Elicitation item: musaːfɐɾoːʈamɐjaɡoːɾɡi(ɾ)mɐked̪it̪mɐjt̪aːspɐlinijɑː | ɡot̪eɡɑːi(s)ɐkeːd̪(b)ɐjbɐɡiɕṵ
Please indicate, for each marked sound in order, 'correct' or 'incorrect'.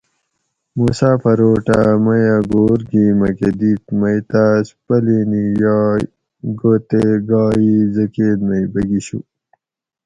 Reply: incorrect, incorrect, incorrect

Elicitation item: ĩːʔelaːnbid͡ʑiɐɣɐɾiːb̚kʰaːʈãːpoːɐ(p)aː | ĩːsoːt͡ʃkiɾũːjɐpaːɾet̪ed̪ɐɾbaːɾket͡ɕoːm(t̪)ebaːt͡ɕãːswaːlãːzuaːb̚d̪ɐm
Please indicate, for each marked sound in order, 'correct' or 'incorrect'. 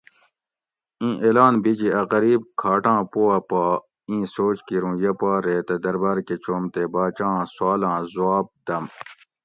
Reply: correct, correct

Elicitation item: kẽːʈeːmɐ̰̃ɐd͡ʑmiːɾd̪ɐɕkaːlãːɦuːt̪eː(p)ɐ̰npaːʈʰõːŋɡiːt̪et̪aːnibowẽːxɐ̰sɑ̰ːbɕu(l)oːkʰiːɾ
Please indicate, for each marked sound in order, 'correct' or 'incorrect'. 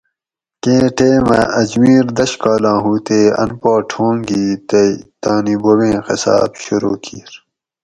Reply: incorrect, incorrect

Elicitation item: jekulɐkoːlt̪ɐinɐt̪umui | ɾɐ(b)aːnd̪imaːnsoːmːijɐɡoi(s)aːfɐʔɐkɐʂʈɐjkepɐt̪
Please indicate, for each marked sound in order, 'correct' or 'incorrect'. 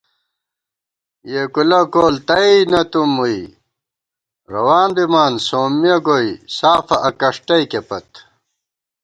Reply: incorrect, correct

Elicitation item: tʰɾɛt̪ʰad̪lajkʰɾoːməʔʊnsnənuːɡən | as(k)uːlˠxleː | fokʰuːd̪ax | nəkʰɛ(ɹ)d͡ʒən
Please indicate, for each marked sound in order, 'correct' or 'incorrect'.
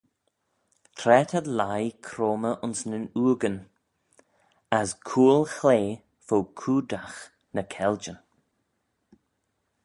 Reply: incorrect, incorrect

